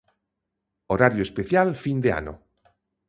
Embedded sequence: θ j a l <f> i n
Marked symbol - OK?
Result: yes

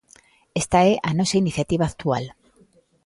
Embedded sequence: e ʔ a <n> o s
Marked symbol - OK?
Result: yes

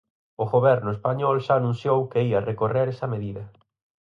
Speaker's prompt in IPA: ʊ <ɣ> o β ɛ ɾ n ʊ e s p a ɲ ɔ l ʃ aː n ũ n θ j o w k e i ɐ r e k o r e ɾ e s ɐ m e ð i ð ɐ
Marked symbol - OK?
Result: yes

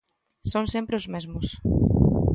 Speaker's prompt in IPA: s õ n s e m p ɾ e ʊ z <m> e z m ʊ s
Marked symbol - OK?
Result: yes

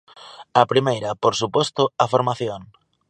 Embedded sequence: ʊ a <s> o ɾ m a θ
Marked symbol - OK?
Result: no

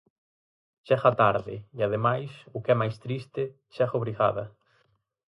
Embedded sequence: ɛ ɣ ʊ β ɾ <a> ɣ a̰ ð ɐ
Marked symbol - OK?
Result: no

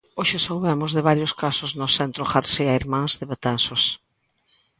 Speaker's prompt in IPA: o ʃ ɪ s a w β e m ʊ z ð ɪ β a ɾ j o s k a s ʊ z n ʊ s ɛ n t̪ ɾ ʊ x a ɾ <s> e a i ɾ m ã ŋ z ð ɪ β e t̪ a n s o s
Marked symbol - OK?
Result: yes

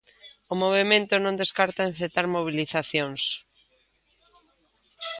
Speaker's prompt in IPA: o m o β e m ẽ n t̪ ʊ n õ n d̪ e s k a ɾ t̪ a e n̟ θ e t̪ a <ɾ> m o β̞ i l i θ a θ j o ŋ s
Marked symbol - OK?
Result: yes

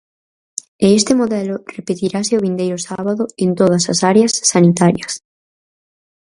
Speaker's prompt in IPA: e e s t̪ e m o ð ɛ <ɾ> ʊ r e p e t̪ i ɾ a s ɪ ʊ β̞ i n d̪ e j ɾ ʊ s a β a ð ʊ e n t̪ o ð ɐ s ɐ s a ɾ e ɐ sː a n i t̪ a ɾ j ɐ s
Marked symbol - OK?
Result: no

